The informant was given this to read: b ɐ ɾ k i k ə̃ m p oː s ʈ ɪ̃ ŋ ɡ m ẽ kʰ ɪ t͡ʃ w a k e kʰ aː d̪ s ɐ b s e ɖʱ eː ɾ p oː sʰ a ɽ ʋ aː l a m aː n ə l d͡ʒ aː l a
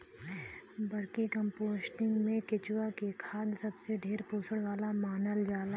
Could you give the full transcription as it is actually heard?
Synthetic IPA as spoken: b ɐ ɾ k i k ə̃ m p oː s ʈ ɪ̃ ŋ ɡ m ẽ k ɪ t͡ʃ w a k e kʰ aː d̪ s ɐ b s e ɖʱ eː ɾ p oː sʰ ə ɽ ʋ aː l a m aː n ə l d͡ʒ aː l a